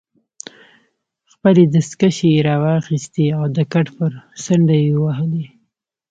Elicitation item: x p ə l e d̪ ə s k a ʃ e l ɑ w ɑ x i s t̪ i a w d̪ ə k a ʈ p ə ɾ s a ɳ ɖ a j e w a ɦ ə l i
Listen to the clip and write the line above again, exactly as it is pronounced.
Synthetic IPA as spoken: x p ə l e d̪ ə s k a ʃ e ɾ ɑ w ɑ x i s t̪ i a w d̪ ə k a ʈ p ə ɾ s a ɳ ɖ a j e w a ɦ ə l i